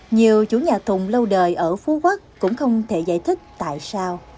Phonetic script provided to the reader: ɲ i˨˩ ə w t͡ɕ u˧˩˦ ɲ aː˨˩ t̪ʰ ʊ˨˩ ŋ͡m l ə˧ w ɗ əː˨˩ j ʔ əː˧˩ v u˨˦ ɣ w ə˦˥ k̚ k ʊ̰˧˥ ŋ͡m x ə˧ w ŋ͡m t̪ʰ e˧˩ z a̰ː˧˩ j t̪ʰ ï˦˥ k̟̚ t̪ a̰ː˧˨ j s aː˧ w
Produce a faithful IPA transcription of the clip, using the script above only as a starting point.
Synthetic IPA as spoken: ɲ i˨˩ ə w t͡ɕ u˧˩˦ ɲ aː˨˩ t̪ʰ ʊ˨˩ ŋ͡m l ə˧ w ɗ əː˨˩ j ʔ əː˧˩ f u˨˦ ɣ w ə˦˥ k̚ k ʊ̰˧˥ ŋ͡m x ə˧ w ŋ͡m t̪ʰ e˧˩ z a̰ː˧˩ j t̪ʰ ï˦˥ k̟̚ t̪ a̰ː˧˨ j s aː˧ w